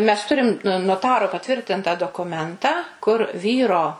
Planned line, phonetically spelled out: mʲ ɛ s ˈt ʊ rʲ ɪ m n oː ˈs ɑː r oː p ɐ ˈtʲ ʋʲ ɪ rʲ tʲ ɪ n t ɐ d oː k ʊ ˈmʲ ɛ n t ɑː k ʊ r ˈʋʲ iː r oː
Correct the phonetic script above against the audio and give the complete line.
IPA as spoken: mʲ ɛ s ˈt ʊ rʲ ɪ m n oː ˈt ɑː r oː p ɐ ˈtʲ ʋʲ ɪ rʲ tʲ ɪ n t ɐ d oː k ʊ ˈmʲ ɛ n t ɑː k ʊ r ˈʋʲ iː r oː